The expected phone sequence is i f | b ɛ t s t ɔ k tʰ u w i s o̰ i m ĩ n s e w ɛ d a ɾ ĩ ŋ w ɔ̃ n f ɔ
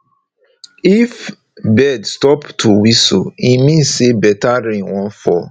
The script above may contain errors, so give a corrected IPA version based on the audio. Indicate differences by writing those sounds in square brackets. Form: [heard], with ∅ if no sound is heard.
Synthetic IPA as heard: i f | b ɛ [d] s t ɔ [p] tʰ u w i s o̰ i m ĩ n s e [b] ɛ [t] a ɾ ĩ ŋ w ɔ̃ n f ɔ